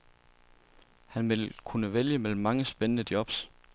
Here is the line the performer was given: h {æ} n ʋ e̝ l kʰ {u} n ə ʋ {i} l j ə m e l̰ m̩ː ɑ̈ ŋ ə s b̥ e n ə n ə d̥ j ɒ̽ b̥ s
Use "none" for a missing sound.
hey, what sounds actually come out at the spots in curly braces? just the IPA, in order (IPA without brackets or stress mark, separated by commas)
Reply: æ, u, e